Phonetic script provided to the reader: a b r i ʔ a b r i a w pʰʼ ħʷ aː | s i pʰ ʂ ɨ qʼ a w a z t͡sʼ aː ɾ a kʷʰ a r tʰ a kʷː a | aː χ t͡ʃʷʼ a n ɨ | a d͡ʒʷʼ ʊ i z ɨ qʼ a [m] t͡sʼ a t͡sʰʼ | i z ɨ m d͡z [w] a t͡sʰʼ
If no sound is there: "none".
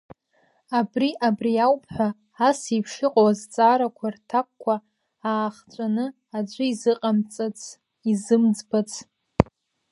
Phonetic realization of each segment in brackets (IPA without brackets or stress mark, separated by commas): m, b